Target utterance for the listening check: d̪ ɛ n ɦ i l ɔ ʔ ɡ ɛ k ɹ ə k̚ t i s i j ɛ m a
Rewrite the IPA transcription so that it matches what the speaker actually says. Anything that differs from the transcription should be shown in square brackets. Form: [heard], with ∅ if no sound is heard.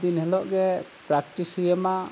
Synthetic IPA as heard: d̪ [i] n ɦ [ɛ] l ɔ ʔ ɡ ɛ [p] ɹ [a] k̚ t i s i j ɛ m a